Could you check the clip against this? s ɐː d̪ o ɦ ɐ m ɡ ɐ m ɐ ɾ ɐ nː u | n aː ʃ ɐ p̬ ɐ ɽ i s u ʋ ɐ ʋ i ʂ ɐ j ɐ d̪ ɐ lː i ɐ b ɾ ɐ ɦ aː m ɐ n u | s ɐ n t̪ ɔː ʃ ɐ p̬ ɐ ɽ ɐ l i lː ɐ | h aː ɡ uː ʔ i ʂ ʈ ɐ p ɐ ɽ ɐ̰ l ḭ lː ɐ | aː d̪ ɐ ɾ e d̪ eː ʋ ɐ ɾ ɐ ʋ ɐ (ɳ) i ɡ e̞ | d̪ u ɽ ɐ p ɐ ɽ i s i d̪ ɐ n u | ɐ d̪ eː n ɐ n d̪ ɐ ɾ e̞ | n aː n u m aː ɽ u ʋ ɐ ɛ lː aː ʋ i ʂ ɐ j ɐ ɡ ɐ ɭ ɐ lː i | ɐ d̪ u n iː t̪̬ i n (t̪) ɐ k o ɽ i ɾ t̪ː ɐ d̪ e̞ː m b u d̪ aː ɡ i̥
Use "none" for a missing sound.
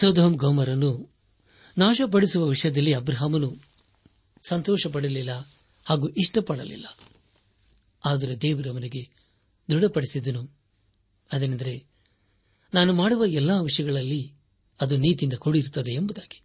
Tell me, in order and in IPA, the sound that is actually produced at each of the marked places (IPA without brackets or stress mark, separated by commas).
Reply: n, d̪